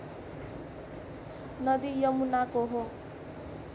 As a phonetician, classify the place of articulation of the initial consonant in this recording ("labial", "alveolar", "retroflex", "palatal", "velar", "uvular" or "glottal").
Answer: alveolar